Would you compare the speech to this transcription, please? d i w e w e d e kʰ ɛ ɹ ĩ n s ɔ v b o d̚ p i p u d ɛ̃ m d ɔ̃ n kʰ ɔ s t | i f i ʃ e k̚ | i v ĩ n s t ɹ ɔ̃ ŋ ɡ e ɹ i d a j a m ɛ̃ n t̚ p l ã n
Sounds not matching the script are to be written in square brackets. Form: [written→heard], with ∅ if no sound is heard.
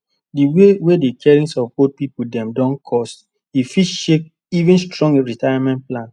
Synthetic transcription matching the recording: d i w e w e d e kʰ ɛ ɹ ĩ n s ɔ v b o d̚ p i p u d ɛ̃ m d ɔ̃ n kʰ ɔ s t | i f i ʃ e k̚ | i v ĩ n s t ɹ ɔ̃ ŋ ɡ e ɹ i [d→t] a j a m ɛ̃ n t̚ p l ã n